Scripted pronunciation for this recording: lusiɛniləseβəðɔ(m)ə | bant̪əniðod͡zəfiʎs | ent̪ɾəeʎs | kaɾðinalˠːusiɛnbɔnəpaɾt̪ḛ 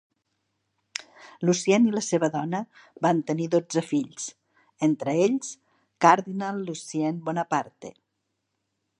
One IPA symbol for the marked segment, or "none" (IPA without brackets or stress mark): n